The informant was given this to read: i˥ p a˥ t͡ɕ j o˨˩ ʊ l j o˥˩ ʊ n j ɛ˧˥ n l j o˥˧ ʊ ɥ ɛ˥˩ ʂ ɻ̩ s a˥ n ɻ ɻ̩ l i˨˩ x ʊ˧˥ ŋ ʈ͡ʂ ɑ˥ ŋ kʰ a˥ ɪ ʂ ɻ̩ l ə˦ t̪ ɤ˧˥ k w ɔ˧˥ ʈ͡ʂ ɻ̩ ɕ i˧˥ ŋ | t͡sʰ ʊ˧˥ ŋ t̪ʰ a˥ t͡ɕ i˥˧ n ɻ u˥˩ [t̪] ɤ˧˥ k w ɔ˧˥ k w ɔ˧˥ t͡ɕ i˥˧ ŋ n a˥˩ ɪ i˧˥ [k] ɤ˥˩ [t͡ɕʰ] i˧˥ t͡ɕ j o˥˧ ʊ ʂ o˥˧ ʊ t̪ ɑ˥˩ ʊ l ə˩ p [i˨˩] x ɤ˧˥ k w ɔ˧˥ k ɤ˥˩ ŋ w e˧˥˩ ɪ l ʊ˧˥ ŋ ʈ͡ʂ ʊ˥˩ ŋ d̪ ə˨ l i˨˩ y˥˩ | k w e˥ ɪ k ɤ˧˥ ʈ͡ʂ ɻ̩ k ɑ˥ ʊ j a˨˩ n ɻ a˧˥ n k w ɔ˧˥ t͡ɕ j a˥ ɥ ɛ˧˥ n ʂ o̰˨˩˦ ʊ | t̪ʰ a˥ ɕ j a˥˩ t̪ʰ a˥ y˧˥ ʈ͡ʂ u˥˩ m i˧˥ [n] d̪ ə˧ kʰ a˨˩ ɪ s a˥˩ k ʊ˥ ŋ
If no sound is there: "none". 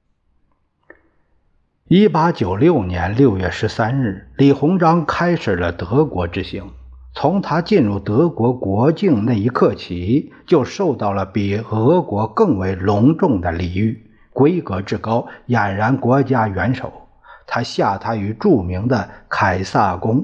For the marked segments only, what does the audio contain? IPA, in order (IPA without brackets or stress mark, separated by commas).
t̪, kʰ, t͡ɕʰ, i˨˩, ŋ